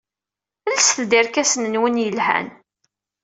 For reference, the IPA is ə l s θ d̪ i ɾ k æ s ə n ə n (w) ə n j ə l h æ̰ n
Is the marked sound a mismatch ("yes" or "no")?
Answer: no